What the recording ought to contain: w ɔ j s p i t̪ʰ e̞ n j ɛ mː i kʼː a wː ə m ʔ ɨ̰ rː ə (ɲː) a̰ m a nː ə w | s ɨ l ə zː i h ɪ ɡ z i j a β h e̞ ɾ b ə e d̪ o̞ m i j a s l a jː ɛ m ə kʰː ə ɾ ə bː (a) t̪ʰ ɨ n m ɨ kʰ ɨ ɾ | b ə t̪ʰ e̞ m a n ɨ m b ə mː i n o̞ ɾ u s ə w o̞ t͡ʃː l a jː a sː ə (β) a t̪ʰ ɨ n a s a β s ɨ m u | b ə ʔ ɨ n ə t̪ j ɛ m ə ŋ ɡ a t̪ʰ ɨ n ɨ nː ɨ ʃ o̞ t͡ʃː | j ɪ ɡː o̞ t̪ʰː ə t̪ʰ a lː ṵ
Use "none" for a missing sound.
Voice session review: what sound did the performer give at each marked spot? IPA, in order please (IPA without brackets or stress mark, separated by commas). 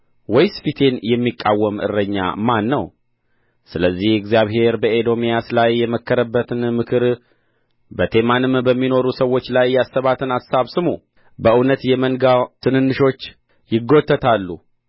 ɲː, ə, β